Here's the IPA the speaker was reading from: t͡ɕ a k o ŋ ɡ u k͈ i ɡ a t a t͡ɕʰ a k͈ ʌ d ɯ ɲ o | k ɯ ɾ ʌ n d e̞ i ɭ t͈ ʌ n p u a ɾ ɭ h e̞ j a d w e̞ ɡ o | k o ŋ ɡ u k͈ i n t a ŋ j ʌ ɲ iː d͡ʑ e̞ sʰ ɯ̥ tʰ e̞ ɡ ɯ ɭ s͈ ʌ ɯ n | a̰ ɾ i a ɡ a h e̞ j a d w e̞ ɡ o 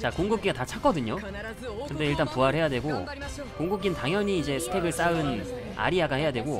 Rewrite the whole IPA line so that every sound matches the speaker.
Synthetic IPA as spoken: t͡ɕ a k o ŋ ɡ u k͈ i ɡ a t a t͡ɕʰ a k͈ ʌ d ɯ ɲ o | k ɯ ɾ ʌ n d e̞ i ɭ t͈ a n p u a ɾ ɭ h e̞ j a d w e̞ ɡ o | k o ŋ ɡ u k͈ i n t a ŋ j ʌ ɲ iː d͡ʑ e̞ sʰ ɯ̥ tʰ e̞ ɡ ɯ ɭ s͈ a ɯ n | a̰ ɾ i a ɡ a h e̞ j a d w e̞ ɡ o